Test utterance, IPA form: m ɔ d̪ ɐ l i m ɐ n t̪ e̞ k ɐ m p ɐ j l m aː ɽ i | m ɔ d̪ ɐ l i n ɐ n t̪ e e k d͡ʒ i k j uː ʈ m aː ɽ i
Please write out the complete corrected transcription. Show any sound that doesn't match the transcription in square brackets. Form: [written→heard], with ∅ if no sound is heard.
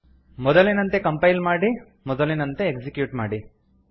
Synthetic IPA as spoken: m ɔ d̪ ɐ l i [m→n] ɐ n t̪ e̞ k ɐ m p ɐ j l m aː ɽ i | m ɔ d̪ ɐ l i n ɐ n t̪ e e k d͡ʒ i k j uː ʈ m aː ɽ i